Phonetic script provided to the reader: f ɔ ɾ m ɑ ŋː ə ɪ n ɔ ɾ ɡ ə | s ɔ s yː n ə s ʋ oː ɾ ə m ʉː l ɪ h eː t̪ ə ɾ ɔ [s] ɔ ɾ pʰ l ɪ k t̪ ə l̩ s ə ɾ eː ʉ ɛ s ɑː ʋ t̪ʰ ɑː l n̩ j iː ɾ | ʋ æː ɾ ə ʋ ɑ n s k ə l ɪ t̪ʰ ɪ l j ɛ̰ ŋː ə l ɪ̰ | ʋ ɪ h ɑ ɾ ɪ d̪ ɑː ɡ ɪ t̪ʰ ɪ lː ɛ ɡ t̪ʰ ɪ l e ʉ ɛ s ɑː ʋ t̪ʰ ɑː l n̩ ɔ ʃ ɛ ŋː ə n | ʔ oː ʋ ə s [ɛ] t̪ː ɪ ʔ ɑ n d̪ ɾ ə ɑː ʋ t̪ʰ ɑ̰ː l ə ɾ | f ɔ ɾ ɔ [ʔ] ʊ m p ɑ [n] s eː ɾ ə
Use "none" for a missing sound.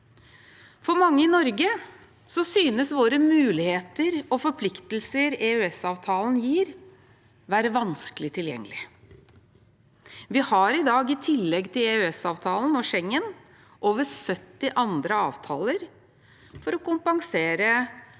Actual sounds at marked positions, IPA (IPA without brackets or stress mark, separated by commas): f, œ, k, ŋ